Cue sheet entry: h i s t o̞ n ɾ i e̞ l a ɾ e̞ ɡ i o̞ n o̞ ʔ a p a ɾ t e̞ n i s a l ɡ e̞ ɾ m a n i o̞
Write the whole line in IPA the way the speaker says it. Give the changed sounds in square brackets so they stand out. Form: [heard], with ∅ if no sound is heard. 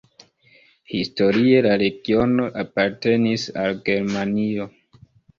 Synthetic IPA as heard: h i s t o̞ [∅] ɾ i e̞ l a ɾ e̞ ɡ i o̞ n o̞ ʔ a p a ɾ t e̞ n i s a l ɡ e̞ ɾ m a n i o̞